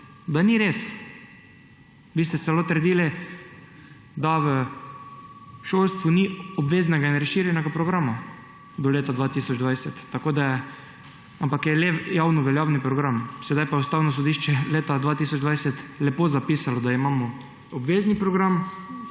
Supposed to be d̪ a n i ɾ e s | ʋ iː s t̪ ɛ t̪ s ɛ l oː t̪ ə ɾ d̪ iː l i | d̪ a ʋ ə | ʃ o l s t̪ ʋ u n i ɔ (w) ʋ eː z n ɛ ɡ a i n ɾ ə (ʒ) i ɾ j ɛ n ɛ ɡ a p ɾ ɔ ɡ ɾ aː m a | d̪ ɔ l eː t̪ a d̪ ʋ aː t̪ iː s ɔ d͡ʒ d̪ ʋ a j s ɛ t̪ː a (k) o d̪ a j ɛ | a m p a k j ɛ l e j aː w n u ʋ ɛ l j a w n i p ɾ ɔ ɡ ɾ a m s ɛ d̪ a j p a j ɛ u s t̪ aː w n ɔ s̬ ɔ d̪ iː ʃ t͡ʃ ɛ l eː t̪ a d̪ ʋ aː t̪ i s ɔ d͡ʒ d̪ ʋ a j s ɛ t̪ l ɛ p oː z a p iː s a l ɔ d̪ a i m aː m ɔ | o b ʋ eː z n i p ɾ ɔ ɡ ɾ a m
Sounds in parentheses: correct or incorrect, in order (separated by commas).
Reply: incorrect, incorrect, correct